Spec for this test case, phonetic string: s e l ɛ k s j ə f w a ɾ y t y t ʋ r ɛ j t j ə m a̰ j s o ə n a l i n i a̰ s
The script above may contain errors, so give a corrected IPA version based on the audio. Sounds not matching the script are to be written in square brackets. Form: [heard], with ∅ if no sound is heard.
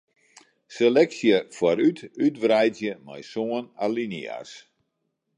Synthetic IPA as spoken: s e l ɛ k s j ə f w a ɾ y t y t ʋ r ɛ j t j ə m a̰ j s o ə n a l i n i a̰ s